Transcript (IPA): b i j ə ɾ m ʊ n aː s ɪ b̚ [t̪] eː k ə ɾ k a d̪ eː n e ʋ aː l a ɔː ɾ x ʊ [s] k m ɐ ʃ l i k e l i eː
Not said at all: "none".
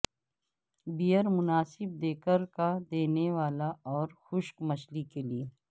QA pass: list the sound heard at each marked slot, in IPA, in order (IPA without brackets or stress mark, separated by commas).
d̪, ʃ